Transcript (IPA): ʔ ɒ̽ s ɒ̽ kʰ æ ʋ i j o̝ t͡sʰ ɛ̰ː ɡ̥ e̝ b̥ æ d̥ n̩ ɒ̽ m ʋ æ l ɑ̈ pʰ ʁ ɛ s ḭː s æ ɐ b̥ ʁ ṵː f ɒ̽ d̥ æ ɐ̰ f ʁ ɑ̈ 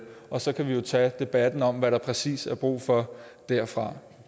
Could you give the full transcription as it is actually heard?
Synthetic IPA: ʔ ɒ̽ s ɒ̽ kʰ æ ʋ i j o̝ t͡sʰ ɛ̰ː d̥ e̝ b̥ æ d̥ n̩ ɒ̽ m ʋ æ ɾ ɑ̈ pʰ ʁ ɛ s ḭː s æ ɐ b̥ ʁ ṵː f ɒ̽ d̥ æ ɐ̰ f ʁ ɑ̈